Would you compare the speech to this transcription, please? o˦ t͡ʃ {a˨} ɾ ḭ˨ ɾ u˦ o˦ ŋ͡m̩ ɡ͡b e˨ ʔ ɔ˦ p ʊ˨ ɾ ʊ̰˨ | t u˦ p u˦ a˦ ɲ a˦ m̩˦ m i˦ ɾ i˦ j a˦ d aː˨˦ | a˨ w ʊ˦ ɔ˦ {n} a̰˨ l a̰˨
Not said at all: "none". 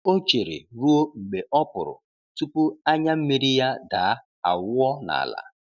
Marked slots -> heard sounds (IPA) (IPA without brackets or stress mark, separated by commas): e˨, n